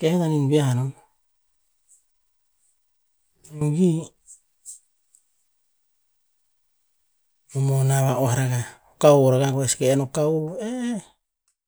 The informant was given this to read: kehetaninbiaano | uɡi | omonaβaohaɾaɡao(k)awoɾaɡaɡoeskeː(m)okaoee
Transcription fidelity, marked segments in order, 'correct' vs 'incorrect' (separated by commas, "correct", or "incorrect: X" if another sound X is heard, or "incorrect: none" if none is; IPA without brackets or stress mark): correct, incorrect: n